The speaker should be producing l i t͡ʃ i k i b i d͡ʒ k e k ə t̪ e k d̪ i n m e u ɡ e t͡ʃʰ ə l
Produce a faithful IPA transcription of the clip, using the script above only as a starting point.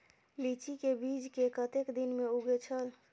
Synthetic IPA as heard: l i t͡ʃ i k e b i d͡ʒ k e k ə t̪ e k d̪ i n m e u ɡ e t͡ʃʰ ə l

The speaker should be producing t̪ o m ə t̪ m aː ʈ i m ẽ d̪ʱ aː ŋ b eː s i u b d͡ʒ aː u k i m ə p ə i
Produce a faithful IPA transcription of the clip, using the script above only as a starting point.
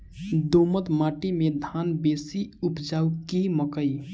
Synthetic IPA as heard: d̪ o m ə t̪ m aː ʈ i m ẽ d̪ʱ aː n b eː s i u p d͡ʒ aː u k i m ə k ə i

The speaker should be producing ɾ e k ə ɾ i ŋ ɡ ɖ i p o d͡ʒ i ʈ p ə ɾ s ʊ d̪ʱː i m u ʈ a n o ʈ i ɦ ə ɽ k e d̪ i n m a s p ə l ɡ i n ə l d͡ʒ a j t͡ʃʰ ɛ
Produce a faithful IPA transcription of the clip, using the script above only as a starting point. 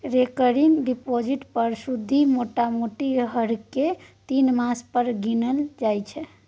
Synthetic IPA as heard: ɾ e k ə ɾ i ŋ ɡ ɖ i p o d͡ʒ i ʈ p ə ɾ s u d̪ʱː i m o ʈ a m o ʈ i ɦ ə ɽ k e t̪ i n m a s p ə ɾ ɡ i n ə l d͡ʒ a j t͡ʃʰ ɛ

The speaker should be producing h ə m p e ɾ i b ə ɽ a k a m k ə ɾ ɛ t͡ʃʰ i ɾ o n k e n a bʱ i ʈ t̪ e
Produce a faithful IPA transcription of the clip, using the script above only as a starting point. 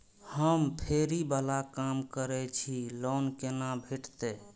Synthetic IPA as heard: h ə m pʰ e ɾ i b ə l a k a m k ə ɾ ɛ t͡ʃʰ i l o n k e n a bʱ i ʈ t̪ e

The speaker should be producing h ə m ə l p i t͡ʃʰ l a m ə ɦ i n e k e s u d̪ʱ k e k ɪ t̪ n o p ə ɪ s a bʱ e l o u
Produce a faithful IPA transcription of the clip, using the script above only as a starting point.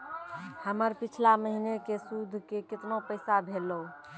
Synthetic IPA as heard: h ə m ə ɾ p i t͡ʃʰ l a m ə ɦ i n e k e s u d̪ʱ k e k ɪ t̪ n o p ə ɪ s a bʱ e l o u

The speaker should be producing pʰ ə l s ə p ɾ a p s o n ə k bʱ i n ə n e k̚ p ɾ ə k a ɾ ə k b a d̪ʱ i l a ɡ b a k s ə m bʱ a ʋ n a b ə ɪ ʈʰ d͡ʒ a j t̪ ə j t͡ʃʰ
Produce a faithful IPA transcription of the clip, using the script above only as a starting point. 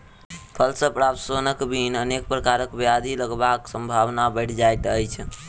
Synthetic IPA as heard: pʰ ə l s ə p ɾ a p s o n ə k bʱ i n ə n e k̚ p ɾ ə k a ɾ ə k b a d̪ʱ i l ə ɡ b a k s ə m bʱ a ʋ n a b ə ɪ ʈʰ d͡ʒ a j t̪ ə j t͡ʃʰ

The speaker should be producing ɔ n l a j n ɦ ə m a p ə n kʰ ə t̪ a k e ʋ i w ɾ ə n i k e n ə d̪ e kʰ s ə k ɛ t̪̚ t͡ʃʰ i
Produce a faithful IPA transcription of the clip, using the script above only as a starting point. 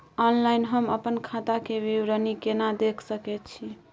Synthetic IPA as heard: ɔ n l a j n ɦ ə m ə p ə n kʰ a t̪ a k e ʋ i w ɾ ə n i k e n a d̪ e kʰ s ə k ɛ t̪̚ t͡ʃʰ i

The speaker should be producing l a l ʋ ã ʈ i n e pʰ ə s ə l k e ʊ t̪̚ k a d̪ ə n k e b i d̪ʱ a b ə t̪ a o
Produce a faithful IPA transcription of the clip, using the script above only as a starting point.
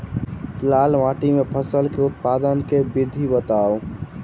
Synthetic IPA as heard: l a l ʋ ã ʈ i m e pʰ ə s ə l k e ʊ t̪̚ p a d̪ ə n k e b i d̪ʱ i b ə t̪ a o

